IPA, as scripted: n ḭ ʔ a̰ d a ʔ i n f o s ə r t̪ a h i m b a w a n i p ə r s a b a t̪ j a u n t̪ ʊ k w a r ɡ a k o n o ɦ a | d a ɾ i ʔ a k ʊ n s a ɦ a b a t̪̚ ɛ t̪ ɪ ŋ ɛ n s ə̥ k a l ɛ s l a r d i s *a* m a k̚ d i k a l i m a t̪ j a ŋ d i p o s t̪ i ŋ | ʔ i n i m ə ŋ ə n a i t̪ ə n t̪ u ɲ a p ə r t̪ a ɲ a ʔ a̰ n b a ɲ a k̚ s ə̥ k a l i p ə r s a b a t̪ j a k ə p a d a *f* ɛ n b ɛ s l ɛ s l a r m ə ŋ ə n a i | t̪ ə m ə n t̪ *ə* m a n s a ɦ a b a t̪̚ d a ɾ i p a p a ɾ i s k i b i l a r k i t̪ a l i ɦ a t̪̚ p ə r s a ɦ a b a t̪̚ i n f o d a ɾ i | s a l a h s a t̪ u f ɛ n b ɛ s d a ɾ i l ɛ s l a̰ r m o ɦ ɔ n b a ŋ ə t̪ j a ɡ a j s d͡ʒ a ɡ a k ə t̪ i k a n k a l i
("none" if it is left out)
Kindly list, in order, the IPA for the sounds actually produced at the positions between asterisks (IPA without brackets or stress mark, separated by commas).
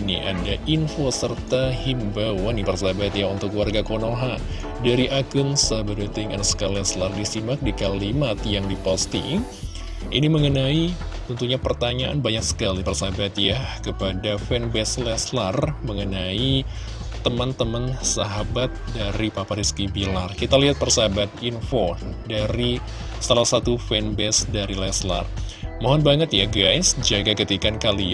i, f, ə